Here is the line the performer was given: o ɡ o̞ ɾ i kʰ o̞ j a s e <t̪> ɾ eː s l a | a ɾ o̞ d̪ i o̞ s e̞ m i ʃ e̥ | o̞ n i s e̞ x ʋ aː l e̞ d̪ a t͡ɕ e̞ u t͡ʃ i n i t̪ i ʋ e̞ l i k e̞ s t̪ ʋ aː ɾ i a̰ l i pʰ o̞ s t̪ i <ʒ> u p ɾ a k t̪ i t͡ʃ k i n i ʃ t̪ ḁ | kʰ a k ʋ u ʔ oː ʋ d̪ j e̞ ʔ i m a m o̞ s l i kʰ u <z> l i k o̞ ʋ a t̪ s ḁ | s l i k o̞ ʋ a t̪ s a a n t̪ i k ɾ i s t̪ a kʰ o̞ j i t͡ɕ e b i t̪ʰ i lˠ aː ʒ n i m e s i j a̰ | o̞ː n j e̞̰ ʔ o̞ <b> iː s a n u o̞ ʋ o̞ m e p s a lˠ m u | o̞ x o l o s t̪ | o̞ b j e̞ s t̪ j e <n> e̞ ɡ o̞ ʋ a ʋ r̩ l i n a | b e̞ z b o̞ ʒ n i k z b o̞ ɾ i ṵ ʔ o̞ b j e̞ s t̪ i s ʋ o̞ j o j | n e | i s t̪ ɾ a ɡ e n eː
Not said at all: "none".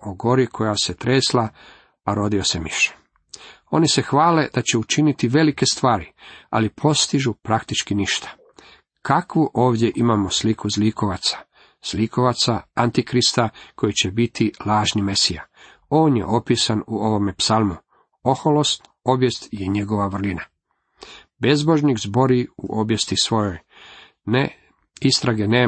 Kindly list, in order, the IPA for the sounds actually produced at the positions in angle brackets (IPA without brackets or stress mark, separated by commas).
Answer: t̪, ʒ, z, p, ɲ